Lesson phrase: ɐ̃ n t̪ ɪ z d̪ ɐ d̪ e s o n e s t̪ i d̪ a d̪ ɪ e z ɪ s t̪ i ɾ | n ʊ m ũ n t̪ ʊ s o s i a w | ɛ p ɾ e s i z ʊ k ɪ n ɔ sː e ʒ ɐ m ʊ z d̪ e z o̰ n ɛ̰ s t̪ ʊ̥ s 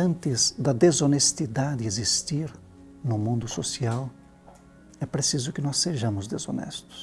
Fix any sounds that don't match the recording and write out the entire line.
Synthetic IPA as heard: ɐ̃ n t̪ ɪ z d̪ ɐ d̪ e z o n e s t̪ i d̪ a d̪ ɪ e z i s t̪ i ɾ | n ʊ m ũ n d̪ ʊ s o s i a w | ɛ p ɾ e s i z ʊ k ɪ n ɔ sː e ʒ ɐ̃ m ʊ z d̪ e z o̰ n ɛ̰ s t̪ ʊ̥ s